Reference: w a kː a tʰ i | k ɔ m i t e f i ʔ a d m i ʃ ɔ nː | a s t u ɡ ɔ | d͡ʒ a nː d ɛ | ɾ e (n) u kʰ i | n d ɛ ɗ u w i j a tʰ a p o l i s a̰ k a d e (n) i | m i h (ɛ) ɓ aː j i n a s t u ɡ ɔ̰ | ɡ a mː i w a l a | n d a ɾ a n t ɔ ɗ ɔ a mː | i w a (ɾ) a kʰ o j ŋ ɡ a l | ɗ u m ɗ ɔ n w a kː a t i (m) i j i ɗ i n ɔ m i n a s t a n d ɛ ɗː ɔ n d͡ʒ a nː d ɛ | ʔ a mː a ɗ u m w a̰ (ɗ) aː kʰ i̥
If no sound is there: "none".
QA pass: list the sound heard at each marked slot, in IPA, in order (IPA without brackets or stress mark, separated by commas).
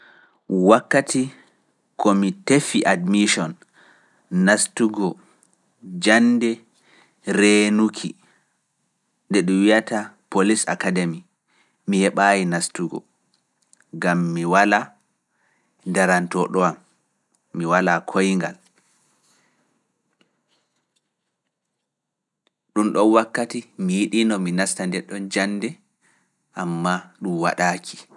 n, m, ɛ, l, m, ɗ